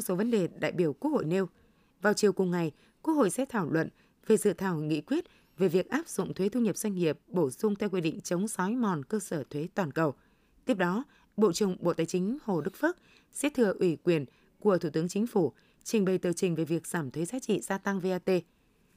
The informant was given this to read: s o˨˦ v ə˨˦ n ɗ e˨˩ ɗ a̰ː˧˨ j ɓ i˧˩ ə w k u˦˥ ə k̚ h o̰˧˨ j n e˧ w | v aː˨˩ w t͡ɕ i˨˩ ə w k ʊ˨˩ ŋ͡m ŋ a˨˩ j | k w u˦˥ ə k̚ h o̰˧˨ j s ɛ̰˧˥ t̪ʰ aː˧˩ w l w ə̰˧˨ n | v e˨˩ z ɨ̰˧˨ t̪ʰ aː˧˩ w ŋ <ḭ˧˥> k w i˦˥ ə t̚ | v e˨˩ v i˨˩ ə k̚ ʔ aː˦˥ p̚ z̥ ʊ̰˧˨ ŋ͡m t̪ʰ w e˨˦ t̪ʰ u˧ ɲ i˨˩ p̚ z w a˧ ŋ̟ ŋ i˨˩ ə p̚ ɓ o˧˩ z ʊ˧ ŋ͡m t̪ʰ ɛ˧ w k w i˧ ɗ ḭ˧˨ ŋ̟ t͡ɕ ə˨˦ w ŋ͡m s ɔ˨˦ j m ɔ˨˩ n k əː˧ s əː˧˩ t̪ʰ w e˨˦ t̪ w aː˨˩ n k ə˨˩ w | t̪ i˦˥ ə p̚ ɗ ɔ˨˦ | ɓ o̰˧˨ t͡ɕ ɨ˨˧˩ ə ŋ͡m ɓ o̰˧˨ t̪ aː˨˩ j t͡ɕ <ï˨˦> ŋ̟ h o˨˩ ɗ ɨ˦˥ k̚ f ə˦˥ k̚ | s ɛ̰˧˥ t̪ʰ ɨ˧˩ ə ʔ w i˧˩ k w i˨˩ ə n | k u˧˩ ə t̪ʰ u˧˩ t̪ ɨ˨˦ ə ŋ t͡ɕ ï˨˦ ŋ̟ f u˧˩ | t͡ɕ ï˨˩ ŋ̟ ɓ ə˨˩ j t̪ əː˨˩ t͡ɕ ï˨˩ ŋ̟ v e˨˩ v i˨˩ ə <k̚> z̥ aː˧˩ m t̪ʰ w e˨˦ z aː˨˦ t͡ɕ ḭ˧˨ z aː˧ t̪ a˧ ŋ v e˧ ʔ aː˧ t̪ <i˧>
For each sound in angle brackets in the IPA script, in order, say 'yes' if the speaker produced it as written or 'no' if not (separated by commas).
yes, yes, yes, no